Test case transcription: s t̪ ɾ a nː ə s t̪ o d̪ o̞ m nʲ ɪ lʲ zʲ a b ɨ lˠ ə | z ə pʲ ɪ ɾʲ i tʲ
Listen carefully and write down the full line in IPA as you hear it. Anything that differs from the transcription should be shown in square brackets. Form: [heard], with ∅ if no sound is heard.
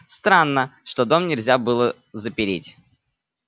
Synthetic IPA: s t̪ ɾ a nː ə [ʂ] t̪ o d̪ o̞ m nʲ ɪ lʲ zʲ a b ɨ lˠ ə | z ə pʲ ɪ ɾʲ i tʲ